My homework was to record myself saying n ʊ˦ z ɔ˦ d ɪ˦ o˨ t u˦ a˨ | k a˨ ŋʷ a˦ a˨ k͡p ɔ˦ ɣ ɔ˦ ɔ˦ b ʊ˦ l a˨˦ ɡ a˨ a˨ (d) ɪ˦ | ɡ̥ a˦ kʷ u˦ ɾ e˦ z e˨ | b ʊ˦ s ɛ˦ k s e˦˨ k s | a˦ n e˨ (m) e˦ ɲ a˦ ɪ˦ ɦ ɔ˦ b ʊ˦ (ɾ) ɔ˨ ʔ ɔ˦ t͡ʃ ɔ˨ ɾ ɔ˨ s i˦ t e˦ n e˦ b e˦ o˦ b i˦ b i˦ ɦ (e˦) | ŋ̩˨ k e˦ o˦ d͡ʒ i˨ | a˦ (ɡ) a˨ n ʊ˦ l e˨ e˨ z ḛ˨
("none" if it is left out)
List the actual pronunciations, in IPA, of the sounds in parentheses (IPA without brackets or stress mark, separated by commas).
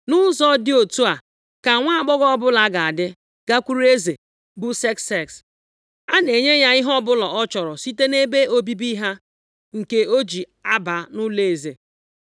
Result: d, ɲ, l, a˦, b